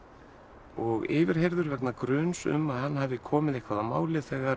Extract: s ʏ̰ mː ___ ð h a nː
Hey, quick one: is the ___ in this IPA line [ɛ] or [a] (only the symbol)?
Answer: a